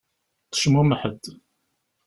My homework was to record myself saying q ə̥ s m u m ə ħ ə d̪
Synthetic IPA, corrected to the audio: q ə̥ ʃ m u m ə ħ ə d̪